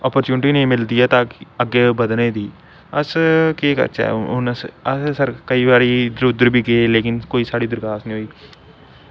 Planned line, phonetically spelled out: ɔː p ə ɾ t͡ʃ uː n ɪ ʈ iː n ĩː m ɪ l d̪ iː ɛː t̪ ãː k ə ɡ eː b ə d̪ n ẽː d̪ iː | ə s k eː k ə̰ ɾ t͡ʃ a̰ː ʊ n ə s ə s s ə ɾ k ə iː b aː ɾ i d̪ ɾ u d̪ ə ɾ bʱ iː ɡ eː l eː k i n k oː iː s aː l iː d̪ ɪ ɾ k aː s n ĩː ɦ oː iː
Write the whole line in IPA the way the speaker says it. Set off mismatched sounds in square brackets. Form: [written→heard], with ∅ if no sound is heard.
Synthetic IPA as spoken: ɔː p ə ɾ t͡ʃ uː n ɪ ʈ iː n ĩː m ɪ l d̪ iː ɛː t̪ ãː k ə ɡ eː b ə d̪ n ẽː d̪ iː | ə s k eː k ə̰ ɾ t͡ʃ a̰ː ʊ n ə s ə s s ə ɾ k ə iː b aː ɾ i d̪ ɾ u d̪ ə ɾ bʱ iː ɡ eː l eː k [i→ɪ] n k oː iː s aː [l→ɽ] iː d̪ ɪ ɾ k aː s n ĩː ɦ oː iː